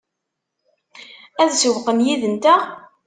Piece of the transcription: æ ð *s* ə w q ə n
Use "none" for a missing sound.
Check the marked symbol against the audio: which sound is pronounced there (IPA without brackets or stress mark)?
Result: s